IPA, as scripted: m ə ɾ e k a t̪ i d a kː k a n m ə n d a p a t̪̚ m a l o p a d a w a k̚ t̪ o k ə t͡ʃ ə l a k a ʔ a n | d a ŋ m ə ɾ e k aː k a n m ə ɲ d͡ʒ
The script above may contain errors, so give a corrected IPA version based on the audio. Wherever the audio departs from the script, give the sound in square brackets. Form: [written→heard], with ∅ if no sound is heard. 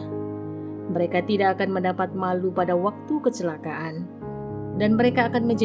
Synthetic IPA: m ə ɾ e k a t̪ i d a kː k a n m ə n d a p a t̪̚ m a l [o→u] p a d a w a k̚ t̪ [o→u] k ə t͡ʃ ə l a k a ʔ a n | d a [ŋ→n] m ə ɾ e k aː k a n m ə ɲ d͡ʒ